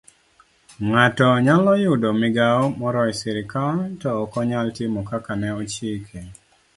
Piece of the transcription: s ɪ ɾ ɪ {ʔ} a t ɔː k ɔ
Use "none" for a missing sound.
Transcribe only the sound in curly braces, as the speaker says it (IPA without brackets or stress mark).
k